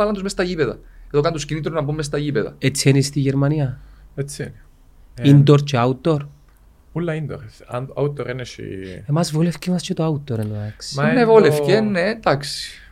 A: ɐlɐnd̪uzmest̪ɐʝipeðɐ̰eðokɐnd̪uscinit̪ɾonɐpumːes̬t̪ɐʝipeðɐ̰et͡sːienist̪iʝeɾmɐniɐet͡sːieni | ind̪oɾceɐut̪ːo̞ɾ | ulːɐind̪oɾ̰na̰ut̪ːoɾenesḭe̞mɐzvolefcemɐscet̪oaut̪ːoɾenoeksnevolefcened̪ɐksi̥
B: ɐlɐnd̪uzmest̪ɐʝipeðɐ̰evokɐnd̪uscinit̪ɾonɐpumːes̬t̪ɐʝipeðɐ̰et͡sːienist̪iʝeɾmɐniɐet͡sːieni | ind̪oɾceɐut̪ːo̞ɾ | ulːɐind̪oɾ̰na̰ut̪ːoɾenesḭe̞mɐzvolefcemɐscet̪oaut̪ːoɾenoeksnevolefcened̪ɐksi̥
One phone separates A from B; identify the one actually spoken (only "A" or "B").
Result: A